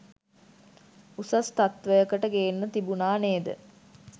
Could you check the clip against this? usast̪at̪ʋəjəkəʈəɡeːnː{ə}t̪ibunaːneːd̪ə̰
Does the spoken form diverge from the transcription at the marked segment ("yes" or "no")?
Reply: no